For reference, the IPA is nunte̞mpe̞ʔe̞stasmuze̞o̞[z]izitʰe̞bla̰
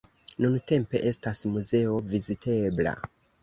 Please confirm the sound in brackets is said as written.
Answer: no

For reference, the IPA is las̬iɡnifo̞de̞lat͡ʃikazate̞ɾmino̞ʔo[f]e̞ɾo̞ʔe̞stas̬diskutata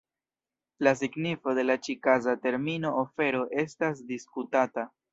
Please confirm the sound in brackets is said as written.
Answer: yes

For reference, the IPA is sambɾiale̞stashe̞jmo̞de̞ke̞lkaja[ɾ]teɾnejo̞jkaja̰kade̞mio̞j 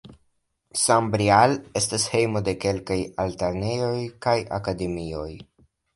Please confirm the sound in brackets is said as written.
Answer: no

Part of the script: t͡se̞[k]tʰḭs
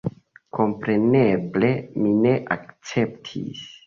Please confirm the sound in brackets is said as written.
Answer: no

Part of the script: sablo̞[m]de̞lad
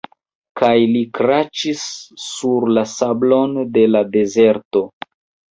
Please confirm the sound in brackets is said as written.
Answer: no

